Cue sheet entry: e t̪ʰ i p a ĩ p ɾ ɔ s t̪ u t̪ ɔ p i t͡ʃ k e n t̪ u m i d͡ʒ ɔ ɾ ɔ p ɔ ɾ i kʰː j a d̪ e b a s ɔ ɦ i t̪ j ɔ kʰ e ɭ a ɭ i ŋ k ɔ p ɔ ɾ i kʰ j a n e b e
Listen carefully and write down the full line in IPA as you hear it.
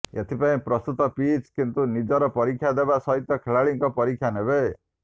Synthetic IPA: e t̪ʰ i p a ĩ p ɾ ɔ s t̪ u t̪ ɔ p i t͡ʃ k i n t̪ u n i d͡ʒ ɔ ɾ ɔ p ɔ ɾ i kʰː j a d̪ e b a s ɔ ɦ i t̪ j ɔ kʰ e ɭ a ɭ i ŋ k ɔ p ɔ ɾ i kʰ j a n e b e